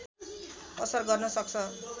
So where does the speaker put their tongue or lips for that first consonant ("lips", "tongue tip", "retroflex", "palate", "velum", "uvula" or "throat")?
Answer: tongue tip